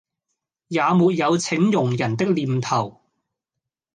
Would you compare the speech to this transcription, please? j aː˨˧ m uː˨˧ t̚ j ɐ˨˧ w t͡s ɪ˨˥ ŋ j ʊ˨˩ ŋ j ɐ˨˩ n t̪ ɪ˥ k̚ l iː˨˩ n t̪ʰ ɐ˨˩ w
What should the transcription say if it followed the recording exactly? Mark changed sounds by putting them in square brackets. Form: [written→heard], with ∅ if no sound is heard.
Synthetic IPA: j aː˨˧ m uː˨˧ t̚ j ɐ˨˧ w [t͡s→t͡sʰ] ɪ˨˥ ŋ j ʊ˨˩ ŋ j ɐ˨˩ n t̪ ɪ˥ k̚ l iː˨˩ [n→m] t̪ʰ ɐ˨˩ w